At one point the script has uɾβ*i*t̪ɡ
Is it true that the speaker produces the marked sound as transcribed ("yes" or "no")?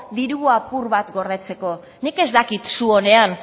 no